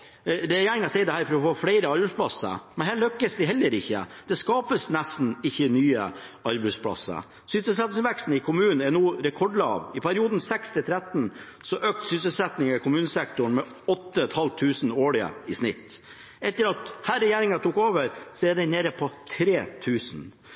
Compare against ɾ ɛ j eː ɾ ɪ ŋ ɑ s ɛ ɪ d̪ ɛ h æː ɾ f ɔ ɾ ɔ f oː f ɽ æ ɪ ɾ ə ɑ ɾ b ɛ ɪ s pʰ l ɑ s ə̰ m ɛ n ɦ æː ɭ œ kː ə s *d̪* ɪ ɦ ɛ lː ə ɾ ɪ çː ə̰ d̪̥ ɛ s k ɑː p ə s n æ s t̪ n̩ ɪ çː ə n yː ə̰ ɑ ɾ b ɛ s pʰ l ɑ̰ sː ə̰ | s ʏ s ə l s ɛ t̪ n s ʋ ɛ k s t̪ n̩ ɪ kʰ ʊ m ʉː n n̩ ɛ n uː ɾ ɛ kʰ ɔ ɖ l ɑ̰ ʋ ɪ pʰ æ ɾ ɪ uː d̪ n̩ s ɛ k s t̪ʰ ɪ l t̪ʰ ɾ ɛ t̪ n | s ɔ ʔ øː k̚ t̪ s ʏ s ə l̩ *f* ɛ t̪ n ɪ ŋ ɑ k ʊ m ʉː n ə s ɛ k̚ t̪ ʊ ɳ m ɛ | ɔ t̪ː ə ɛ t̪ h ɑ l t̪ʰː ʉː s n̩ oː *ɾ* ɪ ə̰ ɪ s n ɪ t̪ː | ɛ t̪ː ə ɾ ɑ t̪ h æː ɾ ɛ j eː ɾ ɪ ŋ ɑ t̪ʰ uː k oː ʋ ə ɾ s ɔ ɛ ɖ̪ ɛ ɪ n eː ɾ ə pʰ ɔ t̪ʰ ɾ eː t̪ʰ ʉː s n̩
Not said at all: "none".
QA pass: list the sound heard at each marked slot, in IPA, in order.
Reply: d̪, s, ɭ

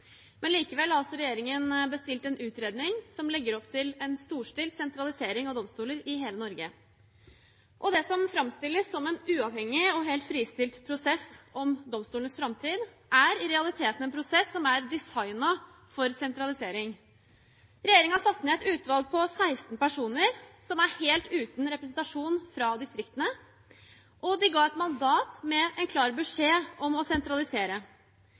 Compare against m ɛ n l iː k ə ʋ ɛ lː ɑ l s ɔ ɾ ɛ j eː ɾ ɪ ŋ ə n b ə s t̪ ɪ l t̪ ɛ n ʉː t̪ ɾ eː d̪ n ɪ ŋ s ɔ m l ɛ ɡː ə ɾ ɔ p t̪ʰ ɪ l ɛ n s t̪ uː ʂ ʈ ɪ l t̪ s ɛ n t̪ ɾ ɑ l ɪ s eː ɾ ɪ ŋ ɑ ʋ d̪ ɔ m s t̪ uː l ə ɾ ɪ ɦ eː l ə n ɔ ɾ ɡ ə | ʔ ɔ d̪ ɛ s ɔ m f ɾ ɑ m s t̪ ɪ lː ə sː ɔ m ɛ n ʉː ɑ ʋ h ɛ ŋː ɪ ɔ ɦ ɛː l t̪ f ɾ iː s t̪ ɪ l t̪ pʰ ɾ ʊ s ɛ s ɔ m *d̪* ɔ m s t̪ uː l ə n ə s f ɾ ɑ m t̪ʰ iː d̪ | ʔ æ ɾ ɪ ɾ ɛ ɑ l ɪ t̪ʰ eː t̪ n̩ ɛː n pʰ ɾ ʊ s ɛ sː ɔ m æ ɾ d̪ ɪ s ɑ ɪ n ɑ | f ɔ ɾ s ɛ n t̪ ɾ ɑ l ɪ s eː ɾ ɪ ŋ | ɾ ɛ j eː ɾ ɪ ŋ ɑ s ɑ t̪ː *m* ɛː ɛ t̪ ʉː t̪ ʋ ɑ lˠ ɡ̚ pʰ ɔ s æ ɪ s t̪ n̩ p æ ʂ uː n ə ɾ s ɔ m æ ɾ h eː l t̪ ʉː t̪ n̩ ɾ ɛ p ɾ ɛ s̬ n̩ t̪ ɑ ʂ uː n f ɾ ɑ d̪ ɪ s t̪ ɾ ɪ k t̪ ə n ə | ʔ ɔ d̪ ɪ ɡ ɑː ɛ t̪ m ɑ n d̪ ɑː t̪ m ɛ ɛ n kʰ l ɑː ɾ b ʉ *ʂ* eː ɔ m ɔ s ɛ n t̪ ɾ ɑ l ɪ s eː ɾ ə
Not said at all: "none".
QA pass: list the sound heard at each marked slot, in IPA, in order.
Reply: d̪, n, ʂ

